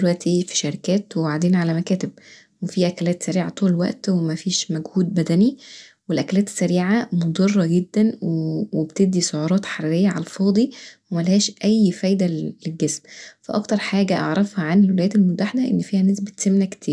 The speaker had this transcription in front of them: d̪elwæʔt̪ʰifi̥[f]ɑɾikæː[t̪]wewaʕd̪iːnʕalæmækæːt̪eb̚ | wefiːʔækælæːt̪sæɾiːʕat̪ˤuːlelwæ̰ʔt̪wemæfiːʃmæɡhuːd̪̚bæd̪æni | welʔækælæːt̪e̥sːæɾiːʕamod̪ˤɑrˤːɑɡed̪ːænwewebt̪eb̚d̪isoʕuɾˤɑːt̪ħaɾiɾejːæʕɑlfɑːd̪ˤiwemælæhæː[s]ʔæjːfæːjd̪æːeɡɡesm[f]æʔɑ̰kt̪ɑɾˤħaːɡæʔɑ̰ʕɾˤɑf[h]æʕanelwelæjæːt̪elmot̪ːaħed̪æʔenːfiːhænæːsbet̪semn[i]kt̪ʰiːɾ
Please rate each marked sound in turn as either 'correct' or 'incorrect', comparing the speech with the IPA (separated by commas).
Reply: incorrect, correct, incorrect, correct, correct, incorrect